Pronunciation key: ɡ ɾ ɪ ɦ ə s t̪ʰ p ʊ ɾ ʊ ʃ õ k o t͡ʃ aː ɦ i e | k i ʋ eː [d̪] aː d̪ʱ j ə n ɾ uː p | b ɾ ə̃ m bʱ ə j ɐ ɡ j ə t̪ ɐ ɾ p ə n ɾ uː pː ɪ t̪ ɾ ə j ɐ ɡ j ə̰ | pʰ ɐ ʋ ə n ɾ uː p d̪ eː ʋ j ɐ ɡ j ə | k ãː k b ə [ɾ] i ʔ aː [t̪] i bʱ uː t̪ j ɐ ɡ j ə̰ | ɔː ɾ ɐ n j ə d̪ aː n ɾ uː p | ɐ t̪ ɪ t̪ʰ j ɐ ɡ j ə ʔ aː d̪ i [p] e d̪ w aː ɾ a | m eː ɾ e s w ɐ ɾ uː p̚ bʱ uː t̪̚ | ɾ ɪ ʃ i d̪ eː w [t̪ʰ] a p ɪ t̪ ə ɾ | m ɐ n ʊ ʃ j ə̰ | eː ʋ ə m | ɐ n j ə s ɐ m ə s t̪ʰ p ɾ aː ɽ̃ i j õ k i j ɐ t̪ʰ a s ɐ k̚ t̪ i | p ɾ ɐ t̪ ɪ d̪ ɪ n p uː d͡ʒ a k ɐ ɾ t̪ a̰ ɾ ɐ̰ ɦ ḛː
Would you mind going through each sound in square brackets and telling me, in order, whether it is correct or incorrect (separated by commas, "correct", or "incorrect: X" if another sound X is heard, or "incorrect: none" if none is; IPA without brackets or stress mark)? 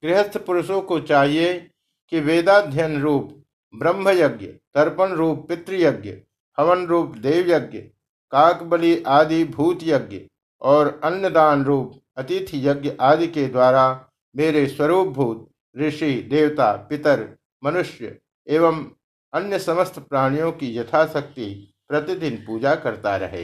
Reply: correct, incorrect: l, incorrect: d̪, incorrect: k, incorrect: t̪